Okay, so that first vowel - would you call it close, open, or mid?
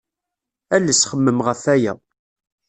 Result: open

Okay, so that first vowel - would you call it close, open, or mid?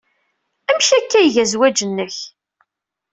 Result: open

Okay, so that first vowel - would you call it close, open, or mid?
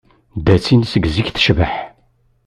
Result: open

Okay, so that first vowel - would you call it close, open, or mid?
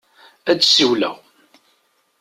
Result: open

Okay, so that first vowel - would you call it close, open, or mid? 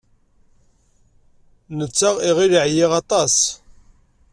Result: mid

